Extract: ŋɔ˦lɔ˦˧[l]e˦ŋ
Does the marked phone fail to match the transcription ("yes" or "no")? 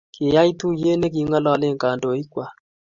no